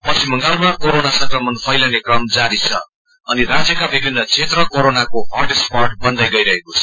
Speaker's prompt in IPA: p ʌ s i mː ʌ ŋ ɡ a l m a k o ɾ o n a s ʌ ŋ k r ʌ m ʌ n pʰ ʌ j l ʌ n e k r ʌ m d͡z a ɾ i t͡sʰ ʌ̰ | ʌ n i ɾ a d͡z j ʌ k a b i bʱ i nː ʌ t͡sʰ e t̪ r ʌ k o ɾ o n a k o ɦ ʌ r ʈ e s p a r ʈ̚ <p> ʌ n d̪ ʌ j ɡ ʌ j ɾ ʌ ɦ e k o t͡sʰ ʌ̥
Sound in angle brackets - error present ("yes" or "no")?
yes